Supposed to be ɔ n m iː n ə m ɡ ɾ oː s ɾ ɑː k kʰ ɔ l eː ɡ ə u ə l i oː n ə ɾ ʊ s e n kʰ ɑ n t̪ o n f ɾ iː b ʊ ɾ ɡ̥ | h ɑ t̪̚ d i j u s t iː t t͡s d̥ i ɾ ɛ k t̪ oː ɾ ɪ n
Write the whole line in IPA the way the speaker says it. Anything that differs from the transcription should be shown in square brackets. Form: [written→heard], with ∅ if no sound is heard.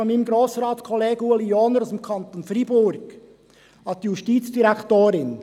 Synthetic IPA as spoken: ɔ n m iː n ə m ɡ ɾ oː s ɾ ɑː [k→t] kʰ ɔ l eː ɡ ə u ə l i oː n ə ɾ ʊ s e [n→m] kʰ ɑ n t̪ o n f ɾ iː b ʊ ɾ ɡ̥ | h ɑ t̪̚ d i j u [s→ʃ] t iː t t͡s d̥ i ɾ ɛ k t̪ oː ɾ ɪ n